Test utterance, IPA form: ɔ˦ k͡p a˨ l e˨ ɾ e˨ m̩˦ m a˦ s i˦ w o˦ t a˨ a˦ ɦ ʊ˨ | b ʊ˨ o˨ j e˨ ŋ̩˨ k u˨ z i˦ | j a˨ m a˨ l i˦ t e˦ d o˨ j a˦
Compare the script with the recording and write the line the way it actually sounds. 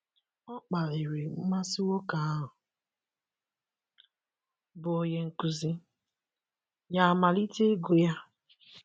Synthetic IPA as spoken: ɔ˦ k͡p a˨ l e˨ ɾ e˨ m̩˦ m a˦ s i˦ w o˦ k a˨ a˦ ɦ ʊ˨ | b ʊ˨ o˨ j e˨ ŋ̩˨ k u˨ z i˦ | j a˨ m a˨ l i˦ t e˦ ɡ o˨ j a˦

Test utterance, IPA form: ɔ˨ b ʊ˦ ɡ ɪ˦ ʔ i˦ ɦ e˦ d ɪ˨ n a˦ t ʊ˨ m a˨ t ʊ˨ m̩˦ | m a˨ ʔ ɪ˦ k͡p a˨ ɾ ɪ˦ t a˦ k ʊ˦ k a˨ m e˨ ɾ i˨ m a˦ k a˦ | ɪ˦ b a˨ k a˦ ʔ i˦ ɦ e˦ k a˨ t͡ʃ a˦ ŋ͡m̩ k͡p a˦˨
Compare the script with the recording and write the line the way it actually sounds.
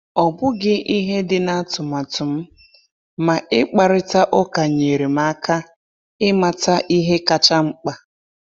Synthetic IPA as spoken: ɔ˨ b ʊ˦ ɡ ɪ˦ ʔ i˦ ɦ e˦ d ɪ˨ n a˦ t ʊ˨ m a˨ t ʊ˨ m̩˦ | m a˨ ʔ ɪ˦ k͡p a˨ ɾ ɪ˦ t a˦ ʔ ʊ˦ k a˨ ɲ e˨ ɾ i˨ m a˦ k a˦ | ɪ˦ m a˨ t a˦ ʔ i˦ ɦ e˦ k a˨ t͡ʃ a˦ ŋ͡m̩ k͡p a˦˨

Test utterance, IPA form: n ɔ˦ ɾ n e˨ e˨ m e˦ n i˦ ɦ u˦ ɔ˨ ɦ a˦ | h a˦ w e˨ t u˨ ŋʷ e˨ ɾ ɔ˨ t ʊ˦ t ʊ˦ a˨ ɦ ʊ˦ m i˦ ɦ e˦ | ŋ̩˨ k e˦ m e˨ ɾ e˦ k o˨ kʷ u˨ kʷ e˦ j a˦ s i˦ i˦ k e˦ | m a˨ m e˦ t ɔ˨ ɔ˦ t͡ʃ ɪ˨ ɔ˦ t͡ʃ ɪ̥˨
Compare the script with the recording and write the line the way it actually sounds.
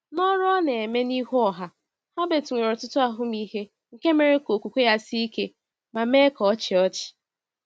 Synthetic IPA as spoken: n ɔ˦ ɾ n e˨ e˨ m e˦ n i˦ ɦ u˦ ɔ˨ ɦ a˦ | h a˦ b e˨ t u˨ ŋʷ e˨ ɾ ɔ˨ t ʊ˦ t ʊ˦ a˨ ɦ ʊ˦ m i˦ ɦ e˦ | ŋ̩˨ k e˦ m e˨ ɾ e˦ k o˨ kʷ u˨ kʷ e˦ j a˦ s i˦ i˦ k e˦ | m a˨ m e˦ k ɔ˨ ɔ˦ t͡ʃ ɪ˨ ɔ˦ t͡ʃ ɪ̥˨

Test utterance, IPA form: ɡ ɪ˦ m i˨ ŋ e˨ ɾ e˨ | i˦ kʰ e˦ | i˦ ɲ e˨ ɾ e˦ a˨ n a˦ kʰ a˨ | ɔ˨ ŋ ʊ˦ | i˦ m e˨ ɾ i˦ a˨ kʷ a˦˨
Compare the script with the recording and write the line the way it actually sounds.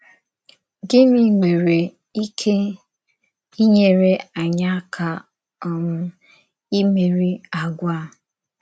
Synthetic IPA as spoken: ɡ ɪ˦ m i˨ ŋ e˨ ɾ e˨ | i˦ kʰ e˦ | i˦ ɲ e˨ ɾ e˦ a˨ ɲ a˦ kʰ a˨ | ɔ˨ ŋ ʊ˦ | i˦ m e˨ ɾ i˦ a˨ ɡʷ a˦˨

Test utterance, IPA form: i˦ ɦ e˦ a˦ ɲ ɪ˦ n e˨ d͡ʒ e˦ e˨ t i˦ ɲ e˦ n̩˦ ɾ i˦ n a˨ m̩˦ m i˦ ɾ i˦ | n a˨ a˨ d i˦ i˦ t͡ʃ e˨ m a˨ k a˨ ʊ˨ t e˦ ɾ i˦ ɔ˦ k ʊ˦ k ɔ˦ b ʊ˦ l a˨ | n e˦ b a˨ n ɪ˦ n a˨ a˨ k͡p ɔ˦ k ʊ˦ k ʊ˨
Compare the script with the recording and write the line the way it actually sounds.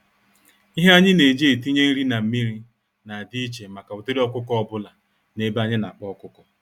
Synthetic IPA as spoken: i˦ ɦ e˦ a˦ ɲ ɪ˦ n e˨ d͡ʒ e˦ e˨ t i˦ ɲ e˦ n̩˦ ɾ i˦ n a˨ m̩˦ m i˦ ɾ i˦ | n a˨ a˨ d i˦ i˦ t͡ʃ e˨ m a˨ k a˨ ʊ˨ t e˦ ɾ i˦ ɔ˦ k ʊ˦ k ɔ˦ b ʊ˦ l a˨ | n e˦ b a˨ ɲ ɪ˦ n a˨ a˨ k͡p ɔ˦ k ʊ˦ k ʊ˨

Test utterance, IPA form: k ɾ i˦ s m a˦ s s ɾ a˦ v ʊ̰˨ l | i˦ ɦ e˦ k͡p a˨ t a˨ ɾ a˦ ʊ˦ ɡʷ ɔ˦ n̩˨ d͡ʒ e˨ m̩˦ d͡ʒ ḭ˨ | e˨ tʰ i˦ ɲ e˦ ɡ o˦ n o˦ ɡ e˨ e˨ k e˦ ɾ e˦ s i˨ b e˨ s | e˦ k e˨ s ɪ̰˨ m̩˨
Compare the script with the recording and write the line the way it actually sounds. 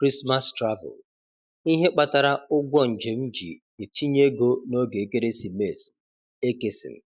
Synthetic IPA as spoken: k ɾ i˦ s m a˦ s t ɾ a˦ v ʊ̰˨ l | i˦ ɦ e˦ k͡p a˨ t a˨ ɾ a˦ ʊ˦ ɡʷ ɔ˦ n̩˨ d͡ʒ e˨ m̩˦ d͡ʒ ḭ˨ | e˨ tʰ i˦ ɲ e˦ ɡ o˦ n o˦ ɡ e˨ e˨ k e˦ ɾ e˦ s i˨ m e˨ s | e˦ k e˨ s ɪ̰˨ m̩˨

